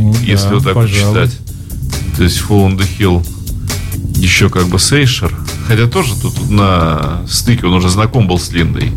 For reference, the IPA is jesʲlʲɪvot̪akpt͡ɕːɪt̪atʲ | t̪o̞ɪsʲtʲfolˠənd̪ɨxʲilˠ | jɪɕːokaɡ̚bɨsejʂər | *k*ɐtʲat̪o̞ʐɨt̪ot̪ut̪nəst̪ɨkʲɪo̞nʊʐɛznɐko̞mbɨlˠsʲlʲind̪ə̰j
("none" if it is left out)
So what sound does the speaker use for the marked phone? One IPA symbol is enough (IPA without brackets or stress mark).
x